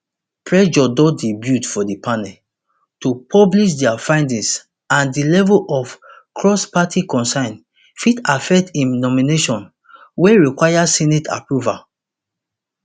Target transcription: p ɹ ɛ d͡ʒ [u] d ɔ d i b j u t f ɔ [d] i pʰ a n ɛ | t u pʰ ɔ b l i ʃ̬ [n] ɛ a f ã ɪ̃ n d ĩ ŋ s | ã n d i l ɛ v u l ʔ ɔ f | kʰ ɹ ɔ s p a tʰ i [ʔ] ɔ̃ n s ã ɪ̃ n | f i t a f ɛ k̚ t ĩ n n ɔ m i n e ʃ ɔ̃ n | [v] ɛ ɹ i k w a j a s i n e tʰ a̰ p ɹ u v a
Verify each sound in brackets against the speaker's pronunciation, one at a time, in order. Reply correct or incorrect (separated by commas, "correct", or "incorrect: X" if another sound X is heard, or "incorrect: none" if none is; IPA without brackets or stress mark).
incorrect: ɔ, correct, incorrect: d, incorrect: k, incorrect: w